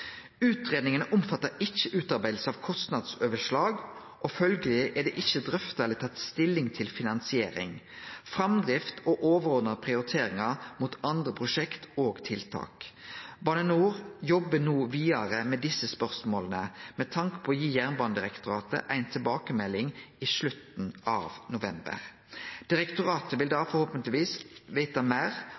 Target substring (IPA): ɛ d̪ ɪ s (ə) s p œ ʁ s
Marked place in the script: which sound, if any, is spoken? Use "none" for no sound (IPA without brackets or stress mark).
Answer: ə